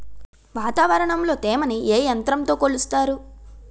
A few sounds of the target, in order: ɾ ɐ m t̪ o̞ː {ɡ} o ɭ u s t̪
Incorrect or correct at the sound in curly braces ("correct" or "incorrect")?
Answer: incorrect